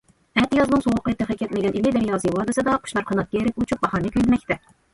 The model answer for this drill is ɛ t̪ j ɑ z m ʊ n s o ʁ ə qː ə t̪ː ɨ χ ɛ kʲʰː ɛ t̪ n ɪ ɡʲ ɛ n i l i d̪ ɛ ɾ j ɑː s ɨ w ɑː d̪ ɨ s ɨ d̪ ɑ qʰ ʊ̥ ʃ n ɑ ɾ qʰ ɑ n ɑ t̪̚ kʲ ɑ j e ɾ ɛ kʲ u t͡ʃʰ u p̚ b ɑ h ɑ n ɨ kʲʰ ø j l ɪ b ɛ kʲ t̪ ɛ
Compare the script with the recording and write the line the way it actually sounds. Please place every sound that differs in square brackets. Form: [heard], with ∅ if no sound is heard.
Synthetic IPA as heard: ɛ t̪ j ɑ z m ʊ n s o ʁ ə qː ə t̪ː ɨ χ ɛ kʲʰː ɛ t̪ [m] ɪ ɡʲ ɛ n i l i d̪ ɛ ɾ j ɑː s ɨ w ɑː d̪ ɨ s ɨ d̪ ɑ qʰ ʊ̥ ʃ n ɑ ɾ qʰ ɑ n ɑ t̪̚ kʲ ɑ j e ɾ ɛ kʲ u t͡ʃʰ u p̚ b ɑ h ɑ n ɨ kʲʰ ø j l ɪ [m] ɛ kʲ t̪ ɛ